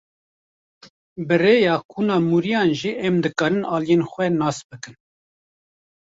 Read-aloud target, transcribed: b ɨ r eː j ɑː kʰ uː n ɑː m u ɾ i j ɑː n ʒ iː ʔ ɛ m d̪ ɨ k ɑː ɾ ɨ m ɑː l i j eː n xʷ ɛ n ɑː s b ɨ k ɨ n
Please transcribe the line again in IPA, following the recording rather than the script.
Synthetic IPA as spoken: b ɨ r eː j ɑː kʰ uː n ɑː m u ɾ i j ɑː n ʒ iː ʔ ɛ m d̪ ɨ k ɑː ɾ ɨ n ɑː l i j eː n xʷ ɛ n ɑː s b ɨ k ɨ n